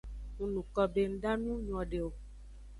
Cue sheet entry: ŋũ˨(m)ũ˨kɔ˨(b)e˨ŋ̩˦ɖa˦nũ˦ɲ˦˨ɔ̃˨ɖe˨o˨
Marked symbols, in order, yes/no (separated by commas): no, yes